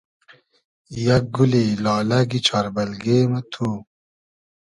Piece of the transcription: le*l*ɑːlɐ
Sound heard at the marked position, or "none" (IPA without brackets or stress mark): l